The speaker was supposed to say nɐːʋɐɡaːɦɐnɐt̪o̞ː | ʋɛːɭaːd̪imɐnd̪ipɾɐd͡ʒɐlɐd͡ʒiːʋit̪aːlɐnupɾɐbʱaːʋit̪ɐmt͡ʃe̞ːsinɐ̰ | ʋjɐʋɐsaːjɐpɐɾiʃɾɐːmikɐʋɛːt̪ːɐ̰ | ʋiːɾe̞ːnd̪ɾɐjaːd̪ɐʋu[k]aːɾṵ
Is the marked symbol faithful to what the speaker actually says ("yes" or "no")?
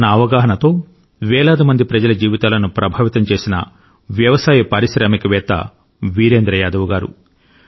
no